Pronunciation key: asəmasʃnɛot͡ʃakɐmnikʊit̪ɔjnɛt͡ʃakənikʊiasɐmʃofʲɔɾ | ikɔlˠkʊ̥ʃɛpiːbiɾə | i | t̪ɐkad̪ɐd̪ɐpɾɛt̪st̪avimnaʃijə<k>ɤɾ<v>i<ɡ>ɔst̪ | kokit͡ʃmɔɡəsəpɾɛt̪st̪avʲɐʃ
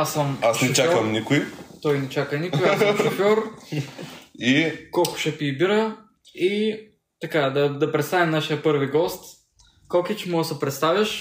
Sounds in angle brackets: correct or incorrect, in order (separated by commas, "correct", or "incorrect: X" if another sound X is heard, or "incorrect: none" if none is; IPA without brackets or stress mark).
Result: incorrect: p, correct, correct